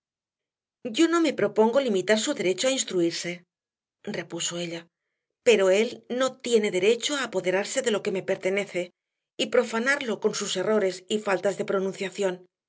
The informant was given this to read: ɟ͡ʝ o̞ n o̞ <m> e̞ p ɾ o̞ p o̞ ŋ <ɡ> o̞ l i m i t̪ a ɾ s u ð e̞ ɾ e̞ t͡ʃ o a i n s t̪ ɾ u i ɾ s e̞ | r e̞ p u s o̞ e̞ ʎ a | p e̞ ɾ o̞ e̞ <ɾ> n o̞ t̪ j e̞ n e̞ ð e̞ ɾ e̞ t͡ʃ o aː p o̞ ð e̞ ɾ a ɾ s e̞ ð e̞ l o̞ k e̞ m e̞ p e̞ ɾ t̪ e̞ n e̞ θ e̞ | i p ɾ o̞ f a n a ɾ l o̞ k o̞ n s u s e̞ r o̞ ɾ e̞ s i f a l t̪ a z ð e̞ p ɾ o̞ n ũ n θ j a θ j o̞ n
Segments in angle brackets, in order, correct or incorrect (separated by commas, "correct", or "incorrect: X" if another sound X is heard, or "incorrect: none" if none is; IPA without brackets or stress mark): correct, correct, incorrect: l